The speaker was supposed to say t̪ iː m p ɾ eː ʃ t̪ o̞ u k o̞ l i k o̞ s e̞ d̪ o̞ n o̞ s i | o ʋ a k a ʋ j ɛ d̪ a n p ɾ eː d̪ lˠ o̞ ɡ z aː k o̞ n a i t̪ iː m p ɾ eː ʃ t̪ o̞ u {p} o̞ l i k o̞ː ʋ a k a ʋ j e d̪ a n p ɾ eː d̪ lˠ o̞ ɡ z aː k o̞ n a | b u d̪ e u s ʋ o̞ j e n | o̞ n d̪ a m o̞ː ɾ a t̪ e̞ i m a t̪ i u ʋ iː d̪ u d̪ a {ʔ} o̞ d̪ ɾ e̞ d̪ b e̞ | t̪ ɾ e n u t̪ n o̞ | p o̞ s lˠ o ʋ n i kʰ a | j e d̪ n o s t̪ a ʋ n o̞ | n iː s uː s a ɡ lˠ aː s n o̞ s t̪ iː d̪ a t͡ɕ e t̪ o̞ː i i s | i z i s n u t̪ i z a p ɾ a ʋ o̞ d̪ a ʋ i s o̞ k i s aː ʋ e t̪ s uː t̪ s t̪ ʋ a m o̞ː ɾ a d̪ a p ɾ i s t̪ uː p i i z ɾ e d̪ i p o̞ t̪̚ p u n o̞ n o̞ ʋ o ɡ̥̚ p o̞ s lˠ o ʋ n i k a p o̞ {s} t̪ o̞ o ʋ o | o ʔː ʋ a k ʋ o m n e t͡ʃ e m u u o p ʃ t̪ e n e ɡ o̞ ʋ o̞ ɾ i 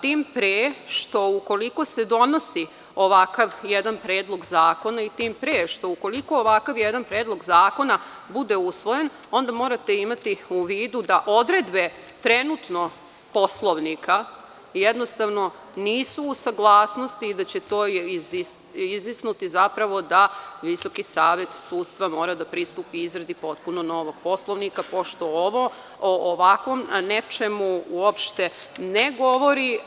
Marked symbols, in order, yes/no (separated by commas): no, yes, no